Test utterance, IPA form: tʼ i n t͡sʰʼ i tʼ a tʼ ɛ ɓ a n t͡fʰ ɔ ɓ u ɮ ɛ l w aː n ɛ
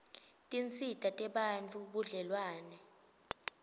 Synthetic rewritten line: tʼ i n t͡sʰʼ i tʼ a tʼ ɛ ɓ a n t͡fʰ u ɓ u ɮ ɛ l w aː n ɛ